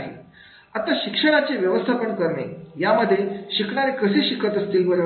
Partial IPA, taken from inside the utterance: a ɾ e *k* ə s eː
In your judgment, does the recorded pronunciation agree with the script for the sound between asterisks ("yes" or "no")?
yes